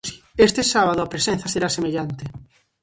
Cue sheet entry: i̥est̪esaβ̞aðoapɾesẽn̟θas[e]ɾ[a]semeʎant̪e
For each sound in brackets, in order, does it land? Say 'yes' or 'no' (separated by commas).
yes, yes